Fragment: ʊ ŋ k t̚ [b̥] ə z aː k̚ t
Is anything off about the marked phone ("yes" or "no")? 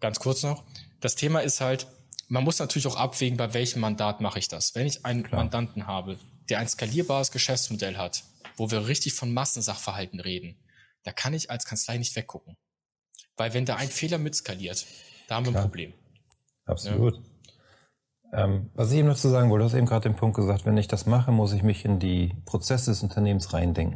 yes